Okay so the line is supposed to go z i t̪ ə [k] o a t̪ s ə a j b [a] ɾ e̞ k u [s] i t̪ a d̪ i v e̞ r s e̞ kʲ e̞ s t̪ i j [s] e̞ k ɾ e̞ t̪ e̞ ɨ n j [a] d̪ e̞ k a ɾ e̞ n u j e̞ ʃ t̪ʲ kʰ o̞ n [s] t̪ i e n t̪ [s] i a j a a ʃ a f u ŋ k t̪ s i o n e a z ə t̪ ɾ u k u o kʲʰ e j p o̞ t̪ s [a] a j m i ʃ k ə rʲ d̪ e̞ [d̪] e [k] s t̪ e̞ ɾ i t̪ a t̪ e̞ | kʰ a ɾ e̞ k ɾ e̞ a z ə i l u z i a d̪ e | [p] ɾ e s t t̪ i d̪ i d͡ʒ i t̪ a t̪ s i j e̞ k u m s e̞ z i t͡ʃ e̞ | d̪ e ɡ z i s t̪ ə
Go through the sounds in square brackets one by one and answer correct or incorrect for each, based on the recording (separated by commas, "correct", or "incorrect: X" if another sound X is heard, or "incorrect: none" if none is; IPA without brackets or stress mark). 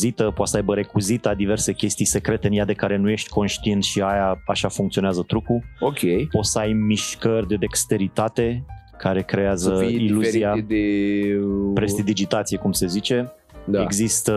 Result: incorrect: p, incorrect: ə, incorrect: z, correct, correct, incorrect: ʃ, incorrect: ʃ, incorrect: ə, correct, correct, correct